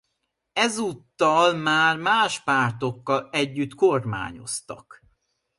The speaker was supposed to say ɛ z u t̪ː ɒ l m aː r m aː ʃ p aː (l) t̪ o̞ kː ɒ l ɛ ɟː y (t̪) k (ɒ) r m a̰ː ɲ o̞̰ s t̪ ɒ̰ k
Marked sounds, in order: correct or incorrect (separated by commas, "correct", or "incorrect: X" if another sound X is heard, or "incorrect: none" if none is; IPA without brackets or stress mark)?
incorrect: r, correct, incorrect: o